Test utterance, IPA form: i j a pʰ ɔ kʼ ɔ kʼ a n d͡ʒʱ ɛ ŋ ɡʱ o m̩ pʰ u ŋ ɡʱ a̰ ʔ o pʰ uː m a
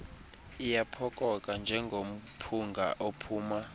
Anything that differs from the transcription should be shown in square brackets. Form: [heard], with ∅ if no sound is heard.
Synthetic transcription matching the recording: i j a pʰ ɔ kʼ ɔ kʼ a n d͡ʒʱ ɛ ŋ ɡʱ o m̩ pʰ u ŋ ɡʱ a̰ ʔ o pʰ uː m a